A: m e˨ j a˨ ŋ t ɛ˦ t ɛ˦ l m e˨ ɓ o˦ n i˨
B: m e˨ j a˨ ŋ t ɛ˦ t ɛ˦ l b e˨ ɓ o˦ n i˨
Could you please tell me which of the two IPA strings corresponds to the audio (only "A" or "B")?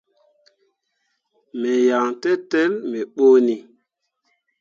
A